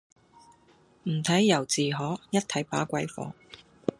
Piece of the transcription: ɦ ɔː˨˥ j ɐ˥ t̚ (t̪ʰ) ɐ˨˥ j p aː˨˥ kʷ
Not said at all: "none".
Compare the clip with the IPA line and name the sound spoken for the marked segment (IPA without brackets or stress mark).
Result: t̪ʰ